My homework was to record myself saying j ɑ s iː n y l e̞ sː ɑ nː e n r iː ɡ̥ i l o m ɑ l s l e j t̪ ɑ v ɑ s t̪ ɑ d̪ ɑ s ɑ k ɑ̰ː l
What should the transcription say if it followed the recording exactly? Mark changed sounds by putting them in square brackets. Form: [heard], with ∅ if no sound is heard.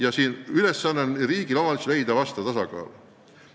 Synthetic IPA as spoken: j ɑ s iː n y l e̞ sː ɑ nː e n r iː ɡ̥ i l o m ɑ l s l e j [d̪] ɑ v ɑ s t̪ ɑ [t̪] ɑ s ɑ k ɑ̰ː l